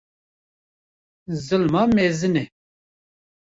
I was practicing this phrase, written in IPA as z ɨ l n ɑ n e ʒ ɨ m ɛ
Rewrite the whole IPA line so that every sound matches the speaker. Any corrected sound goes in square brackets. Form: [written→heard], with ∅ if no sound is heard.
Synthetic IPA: z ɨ l [n→m] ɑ [n→m] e [ʒ→z] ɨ [m→n] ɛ